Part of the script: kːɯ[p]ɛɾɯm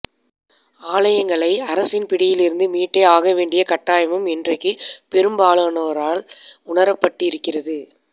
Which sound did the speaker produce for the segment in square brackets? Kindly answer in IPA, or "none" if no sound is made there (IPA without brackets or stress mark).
p